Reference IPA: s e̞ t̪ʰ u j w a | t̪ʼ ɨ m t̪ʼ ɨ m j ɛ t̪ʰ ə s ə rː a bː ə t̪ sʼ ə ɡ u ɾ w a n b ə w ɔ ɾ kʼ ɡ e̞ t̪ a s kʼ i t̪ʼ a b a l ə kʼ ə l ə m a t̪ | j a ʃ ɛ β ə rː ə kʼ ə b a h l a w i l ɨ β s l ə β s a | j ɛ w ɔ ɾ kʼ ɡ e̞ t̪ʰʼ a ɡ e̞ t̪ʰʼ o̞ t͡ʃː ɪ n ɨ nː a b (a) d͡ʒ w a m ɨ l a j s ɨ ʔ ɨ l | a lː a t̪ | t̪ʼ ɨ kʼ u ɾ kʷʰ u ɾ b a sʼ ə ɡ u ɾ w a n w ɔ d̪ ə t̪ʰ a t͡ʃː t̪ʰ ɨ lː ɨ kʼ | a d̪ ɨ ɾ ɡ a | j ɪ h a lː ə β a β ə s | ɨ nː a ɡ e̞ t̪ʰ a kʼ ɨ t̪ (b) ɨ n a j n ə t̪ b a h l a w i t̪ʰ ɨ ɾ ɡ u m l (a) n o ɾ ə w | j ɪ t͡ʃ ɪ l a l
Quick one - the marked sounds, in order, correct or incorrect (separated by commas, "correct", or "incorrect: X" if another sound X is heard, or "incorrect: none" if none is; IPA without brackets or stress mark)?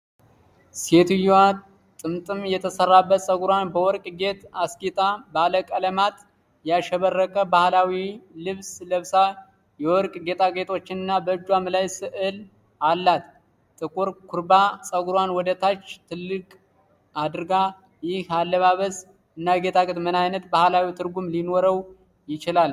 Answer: incorrect: ə, incorrect: m, incorrect: i